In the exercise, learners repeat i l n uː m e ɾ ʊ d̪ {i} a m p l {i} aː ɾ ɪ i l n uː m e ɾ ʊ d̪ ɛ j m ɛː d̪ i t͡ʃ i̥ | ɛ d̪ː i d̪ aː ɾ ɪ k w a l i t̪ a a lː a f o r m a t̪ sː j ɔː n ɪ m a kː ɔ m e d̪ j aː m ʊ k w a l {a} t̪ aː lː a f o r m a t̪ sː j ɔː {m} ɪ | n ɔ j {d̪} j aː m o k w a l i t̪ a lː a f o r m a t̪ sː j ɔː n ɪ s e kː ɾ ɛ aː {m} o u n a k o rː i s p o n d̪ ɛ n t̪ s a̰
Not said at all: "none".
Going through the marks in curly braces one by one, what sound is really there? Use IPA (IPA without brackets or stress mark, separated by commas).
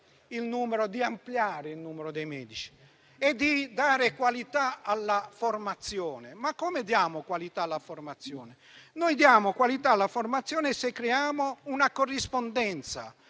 i, j, i, n, d̪, m